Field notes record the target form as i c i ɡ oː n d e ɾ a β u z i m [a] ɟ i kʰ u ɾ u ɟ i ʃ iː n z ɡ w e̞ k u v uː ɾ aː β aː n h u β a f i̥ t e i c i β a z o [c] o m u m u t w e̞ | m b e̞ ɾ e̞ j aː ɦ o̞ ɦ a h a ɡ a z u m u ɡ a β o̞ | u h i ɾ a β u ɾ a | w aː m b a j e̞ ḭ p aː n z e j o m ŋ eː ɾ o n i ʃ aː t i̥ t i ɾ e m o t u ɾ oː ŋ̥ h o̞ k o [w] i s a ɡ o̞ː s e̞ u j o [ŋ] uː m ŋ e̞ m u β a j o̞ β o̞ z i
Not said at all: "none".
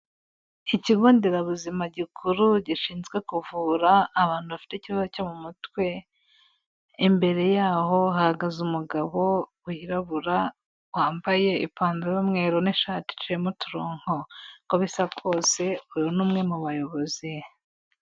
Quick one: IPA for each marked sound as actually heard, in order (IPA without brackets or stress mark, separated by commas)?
a, c, β, n